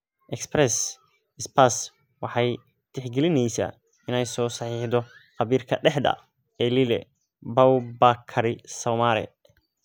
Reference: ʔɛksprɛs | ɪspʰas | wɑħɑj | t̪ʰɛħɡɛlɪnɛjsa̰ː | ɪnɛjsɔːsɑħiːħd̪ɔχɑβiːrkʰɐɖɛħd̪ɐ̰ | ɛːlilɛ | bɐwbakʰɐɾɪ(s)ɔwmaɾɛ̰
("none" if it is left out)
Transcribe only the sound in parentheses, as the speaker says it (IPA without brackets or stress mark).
s